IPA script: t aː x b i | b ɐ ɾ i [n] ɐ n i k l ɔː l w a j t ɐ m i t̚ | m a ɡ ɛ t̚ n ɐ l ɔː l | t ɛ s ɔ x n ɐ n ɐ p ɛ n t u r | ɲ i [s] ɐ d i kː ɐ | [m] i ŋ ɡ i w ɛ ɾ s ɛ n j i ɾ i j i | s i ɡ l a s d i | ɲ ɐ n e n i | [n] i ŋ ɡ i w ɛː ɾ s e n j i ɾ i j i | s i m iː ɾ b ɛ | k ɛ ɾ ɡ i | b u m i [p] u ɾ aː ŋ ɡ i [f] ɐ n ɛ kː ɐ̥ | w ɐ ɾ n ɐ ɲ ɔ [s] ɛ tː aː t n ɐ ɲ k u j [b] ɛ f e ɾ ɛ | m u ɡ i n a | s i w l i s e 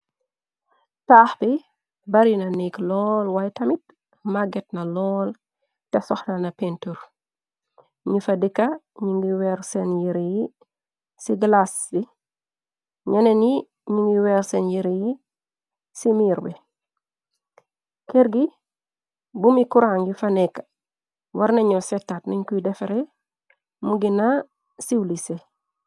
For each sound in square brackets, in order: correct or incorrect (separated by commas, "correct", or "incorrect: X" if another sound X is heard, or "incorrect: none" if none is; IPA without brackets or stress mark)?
correct, incorrect: f, incorrect: ɲ, incorrect: ɲ, incorrect: k, correct, correct, incorrect: d